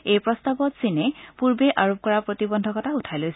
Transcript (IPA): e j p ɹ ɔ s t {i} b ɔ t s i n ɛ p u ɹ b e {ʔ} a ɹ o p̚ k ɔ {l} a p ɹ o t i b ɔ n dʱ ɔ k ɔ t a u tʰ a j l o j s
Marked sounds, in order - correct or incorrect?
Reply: incorrect: a, correct, incorrect: ɹ

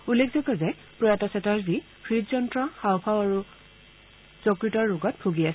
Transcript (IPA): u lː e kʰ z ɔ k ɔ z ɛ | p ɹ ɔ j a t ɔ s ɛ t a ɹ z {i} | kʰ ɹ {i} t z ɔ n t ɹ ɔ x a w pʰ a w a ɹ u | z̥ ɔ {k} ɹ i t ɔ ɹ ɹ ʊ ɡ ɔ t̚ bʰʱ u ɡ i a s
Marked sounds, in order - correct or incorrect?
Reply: correct, correct, correct

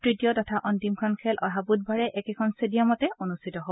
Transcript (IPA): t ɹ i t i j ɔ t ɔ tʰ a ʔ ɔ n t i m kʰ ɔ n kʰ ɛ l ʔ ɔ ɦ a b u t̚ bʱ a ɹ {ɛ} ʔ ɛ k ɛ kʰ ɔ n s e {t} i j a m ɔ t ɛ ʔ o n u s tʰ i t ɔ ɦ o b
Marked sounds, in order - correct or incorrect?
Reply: correct, incorrect: d

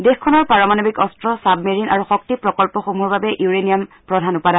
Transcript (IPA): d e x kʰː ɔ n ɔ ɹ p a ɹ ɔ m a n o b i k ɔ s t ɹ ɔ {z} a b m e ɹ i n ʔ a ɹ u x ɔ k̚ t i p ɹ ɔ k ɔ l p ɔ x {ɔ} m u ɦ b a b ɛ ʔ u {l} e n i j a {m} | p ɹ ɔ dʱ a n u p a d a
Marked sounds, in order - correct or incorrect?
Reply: incorrect: s, incorrect: o, incorrect: ɹ, correct

